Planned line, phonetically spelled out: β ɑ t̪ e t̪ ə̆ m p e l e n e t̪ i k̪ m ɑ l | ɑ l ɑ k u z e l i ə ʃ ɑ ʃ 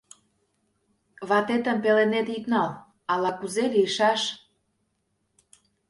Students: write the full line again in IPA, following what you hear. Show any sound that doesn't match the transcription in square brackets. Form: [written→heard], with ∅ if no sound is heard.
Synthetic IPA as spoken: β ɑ t̪ e t̪ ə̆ m p e l e n e t̪ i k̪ [m→n] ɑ l | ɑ l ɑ k u z e l i ə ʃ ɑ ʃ